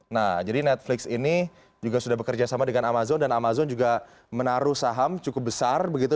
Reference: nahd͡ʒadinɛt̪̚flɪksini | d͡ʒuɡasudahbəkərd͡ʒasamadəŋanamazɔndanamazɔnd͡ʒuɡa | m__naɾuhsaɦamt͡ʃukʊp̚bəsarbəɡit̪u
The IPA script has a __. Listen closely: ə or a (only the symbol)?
ə